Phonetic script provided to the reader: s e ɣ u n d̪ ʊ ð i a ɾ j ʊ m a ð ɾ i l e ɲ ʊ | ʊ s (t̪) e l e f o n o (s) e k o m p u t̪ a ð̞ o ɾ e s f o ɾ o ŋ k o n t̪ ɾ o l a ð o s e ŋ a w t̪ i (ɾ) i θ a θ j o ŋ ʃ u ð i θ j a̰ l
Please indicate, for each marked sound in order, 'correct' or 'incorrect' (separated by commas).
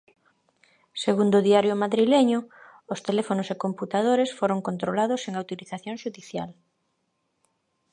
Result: correct, correct, incorrect